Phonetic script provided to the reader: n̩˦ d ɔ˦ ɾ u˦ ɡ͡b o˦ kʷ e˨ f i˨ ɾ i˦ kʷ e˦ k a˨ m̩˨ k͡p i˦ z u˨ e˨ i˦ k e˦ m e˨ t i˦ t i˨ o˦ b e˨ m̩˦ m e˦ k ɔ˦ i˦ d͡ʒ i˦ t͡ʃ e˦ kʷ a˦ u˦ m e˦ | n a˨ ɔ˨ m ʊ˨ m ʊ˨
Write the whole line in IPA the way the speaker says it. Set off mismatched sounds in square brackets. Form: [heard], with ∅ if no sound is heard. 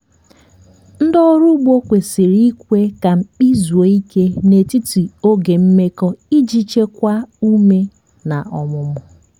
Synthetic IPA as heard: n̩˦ d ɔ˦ ɾ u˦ ɡ͡b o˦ kʷ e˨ [s] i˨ ɾ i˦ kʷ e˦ k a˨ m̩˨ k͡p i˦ z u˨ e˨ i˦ k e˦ [n] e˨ t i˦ t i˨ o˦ [ɡ] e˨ m̩˦ m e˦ k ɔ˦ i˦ d͡ʒ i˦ t͡ʃ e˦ kʷ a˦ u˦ m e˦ | n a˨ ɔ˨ m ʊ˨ m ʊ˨